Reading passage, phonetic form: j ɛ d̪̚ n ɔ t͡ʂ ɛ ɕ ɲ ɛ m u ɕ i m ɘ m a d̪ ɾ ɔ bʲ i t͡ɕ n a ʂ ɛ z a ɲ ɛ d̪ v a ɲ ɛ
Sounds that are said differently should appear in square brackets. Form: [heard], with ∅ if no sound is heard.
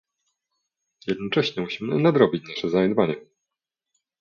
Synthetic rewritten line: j ɛ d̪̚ n ɔ t͡ʂ ɛ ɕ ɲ ɛ m u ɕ i m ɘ [n] a d̪ ɾ ɔ bʲ i t͡ɕ n a ʂ ɛ z a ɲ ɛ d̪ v a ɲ ɛ